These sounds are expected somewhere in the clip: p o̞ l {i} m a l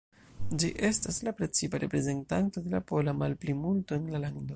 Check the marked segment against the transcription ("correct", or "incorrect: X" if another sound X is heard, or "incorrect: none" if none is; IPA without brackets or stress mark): incorrect: a